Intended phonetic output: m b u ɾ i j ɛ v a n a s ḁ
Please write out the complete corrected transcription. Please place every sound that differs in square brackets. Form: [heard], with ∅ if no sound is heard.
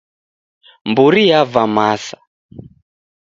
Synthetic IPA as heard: m b u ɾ i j [a] v a [m] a s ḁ